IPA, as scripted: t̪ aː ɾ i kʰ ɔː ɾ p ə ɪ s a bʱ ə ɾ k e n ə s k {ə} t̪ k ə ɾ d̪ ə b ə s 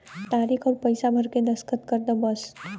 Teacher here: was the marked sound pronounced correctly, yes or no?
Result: yes